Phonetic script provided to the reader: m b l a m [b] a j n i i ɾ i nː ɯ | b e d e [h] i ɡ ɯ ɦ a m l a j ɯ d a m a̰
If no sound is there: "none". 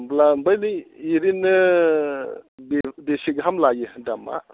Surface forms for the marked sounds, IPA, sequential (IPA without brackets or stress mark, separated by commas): b, s